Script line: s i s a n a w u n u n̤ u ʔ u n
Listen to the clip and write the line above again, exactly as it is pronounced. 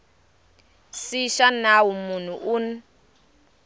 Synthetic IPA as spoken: s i ʃ a n a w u m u n̤ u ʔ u n